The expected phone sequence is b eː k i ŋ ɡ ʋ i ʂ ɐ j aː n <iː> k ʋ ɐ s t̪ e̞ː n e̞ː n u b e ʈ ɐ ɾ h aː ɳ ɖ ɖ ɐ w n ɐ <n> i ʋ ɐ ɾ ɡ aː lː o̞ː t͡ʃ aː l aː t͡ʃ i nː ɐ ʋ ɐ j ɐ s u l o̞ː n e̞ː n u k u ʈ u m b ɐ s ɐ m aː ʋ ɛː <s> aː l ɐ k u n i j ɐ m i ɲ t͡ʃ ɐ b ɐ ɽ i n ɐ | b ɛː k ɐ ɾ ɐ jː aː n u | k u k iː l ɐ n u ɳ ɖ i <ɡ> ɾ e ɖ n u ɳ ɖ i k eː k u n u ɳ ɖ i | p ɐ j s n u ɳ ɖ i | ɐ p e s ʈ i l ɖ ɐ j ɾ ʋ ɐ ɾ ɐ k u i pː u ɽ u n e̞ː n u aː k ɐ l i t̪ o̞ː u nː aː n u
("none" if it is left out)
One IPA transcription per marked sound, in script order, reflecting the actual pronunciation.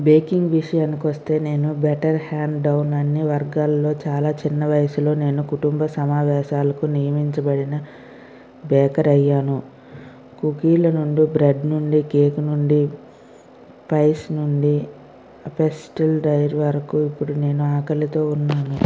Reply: i, nː, ʃ, b

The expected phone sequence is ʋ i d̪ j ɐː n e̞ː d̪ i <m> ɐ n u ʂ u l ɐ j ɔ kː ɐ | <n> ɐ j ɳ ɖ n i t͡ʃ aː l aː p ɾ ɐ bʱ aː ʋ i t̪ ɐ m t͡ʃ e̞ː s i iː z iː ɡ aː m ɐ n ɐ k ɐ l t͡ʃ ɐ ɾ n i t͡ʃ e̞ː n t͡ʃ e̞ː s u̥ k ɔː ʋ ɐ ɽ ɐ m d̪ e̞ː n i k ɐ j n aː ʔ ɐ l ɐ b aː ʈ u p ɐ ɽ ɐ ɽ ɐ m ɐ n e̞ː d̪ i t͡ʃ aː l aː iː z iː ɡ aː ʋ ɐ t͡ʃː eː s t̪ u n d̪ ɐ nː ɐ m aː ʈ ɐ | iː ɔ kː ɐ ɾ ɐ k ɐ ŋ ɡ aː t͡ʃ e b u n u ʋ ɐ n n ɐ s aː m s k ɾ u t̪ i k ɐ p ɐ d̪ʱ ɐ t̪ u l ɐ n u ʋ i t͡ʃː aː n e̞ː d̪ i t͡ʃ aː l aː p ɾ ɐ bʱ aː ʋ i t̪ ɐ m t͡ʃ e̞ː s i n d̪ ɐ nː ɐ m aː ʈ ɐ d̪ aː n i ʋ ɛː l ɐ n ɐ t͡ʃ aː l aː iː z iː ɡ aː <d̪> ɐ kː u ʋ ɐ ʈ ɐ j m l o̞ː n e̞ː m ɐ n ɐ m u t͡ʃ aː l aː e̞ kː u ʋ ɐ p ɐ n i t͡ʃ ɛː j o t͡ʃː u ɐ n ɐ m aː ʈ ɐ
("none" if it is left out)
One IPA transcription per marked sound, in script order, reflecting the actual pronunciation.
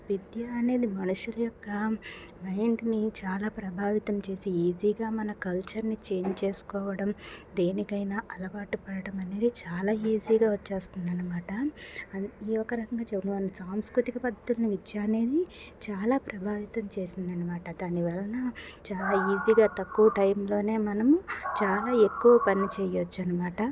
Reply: m, m, t̪

